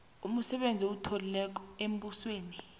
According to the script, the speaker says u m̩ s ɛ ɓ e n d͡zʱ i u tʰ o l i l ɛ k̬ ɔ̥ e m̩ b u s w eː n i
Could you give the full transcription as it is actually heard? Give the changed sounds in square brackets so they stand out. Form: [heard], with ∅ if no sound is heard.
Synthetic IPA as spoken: u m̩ s ɛ ɓ e n d͡zʱ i u tʰ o l i l ɛ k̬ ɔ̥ e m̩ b u s w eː n i